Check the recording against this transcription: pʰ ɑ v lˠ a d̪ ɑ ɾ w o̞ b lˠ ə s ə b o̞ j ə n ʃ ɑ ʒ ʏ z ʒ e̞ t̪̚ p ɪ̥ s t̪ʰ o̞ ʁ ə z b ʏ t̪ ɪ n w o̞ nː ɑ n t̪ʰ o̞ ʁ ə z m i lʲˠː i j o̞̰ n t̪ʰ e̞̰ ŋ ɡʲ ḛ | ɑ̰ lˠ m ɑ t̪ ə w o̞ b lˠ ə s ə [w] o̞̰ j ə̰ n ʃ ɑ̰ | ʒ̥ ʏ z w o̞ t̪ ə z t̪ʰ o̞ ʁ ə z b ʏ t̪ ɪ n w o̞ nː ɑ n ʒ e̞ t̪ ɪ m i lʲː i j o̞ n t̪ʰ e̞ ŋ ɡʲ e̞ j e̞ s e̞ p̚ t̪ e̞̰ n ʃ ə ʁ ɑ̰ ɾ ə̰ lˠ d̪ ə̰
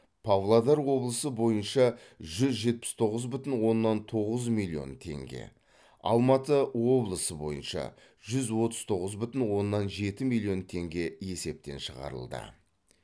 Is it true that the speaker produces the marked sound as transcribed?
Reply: no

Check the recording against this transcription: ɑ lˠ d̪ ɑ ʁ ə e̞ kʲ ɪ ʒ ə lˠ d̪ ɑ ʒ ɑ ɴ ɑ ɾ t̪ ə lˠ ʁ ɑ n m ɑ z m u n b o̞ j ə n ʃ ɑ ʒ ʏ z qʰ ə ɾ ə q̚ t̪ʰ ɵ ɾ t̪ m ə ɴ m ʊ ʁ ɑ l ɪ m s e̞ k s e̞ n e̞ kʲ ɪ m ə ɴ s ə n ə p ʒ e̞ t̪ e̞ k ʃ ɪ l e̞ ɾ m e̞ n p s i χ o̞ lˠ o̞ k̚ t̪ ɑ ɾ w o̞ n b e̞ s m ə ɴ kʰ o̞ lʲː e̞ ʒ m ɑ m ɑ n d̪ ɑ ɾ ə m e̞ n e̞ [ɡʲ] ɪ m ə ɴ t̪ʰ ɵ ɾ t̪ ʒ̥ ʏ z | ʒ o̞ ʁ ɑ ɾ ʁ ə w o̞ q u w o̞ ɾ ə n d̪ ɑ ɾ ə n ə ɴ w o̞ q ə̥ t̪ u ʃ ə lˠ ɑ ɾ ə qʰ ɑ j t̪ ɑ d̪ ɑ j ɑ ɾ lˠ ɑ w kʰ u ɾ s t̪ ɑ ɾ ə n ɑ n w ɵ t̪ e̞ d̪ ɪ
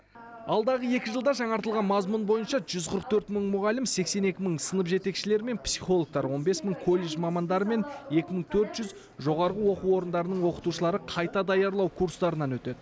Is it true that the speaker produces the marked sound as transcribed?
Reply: no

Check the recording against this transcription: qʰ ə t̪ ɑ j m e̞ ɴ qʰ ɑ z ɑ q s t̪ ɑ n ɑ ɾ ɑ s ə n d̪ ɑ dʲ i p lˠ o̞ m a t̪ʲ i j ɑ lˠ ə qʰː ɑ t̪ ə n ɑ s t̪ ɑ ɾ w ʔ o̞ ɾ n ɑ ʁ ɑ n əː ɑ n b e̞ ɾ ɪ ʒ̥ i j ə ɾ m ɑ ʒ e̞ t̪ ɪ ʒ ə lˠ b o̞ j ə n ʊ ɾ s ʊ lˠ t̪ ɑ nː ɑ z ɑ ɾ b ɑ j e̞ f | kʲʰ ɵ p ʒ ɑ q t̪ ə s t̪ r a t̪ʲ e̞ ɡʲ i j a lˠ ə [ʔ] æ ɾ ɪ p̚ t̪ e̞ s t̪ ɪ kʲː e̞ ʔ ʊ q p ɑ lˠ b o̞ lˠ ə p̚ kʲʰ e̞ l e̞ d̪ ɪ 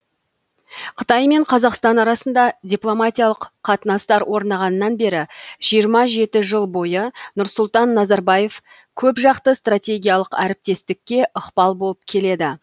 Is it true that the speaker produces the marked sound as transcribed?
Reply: no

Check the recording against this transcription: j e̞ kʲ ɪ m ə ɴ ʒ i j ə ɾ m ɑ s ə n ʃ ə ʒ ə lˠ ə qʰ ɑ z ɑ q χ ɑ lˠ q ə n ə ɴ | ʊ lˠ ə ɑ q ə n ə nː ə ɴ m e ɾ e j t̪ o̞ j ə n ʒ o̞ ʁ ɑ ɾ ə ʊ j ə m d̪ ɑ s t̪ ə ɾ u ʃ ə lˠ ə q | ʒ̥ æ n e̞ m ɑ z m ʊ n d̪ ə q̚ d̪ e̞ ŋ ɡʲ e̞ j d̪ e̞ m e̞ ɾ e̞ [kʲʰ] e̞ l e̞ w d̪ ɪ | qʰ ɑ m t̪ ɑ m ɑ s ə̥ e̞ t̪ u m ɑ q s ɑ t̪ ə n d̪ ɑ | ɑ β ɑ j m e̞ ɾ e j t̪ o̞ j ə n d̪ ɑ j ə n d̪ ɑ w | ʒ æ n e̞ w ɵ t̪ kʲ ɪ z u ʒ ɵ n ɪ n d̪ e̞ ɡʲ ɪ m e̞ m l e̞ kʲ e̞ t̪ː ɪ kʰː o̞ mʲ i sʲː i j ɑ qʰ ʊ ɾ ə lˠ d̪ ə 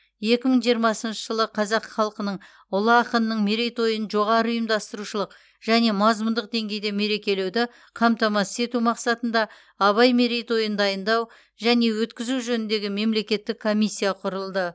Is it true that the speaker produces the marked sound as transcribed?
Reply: no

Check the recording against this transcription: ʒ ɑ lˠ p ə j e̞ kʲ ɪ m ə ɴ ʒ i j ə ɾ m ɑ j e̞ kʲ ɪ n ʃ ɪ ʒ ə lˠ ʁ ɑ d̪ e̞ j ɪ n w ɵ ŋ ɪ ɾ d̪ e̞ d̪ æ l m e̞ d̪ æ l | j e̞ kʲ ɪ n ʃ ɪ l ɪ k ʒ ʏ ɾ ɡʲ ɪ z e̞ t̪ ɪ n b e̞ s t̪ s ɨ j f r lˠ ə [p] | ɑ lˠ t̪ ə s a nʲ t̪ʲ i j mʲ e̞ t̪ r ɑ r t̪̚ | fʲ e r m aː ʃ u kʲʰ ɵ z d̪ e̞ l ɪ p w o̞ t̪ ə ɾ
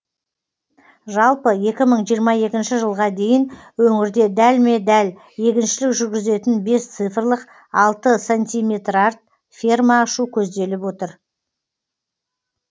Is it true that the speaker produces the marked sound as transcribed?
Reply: no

